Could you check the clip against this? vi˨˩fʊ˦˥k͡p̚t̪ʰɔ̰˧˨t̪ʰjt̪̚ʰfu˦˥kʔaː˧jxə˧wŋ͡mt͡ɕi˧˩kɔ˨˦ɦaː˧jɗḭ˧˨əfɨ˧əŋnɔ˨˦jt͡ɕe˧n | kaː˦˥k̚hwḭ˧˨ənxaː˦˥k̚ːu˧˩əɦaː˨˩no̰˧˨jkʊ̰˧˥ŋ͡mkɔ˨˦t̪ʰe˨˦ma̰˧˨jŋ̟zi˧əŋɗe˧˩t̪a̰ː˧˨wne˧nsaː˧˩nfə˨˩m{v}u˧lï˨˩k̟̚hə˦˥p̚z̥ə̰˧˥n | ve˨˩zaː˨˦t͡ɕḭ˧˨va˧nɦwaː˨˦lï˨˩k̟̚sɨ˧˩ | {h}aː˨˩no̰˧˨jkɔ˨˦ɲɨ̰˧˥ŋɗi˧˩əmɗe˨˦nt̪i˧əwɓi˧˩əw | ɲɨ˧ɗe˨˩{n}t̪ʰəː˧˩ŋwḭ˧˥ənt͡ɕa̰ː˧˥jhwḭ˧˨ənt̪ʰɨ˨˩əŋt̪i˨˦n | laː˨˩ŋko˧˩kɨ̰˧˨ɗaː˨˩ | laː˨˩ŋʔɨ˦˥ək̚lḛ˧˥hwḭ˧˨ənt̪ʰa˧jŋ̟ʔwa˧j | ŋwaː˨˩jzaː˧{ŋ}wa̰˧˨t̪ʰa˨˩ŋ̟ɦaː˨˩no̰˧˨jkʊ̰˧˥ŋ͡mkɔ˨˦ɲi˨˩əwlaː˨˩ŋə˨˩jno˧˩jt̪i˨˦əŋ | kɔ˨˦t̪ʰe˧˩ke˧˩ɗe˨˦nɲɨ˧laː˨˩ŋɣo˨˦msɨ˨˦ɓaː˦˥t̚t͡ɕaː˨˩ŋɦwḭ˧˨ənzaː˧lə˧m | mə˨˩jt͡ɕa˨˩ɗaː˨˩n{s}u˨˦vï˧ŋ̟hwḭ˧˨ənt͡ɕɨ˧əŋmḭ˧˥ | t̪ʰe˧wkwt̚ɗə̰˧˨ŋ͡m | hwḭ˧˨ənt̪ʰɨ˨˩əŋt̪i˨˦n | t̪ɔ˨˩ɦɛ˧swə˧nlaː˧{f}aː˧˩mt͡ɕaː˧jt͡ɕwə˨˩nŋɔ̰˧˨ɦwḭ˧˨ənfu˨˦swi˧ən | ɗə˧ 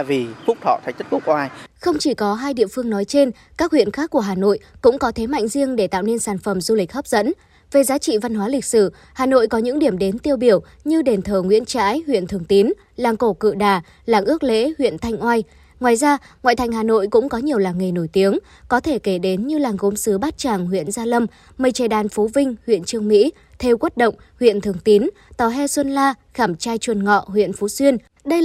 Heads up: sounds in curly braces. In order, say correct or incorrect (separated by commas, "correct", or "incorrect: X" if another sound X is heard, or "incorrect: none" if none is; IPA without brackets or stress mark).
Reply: incorrect: z, correct, correct, correct, incorrect: f, incorrect: x